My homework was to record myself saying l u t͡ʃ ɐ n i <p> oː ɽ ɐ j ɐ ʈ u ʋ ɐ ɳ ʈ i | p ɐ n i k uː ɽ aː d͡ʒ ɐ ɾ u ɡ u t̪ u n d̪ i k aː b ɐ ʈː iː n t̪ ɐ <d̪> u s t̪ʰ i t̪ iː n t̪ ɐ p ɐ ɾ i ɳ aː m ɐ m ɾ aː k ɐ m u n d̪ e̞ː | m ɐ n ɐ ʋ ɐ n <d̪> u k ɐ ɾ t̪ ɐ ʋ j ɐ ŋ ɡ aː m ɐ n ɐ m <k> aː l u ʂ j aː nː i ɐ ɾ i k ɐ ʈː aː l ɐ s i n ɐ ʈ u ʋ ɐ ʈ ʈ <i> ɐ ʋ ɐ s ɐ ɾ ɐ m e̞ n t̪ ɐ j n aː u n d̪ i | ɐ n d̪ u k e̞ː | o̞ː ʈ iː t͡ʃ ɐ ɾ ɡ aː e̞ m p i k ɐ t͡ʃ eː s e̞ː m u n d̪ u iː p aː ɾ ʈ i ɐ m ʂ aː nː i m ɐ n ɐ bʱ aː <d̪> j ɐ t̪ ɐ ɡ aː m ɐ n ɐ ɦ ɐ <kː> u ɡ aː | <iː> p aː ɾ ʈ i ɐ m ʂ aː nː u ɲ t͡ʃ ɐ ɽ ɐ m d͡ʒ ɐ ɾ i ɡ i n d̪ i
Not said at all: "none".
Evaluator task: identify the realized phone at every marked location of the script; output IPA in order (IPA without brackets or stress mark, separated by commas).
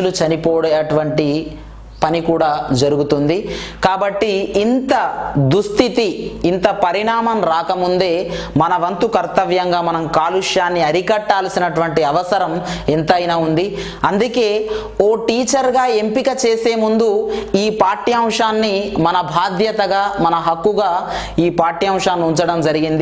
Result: p, d̪, t̪, k, i, d̪, kː, iː